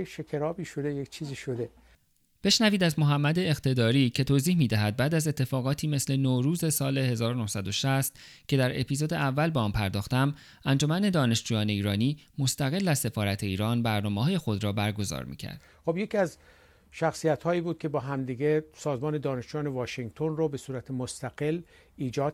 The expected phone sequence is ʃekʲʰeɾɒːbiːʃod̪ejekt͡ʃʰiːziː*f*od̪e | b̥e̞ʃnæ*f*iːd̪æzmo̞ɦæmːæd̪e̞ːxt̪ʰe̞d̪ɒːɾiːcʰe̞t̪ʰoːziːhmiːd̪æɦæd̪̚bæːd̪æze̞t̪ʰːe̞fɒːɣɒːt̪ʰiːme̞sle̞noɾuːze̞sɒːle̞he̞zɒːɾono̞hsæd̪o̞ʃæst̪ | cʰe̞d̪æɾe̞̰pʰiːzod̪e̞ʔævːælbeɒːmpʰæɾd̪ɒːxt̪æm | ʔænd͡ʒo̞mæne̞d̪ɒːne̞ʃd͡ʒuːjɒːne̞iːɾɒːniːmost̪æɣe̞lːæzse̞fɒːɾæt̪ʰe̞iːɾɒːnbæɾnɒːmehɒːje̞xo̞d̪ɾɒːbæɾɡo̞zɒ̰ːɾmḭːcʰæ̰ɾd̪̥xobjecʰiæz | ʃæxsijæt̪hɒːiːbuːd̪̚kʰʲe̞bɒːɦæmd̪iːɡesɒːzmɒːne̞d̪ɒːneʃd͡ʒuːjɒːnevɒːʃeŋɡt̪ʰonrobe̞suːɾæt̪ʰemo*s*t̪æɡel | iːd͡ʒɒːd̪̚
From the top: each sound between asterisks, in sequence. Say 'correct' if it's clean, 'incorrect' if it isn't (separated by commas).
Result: incorrect, incorrect, correct